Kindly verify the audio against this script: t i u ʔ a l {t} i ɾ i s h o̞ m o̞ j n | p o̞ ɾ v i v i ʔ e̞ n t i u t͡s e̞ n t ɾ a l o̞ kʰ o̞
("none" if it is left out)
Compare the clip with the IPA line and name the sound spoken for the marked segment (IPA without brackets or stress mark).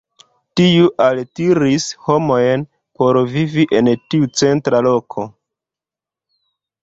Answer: t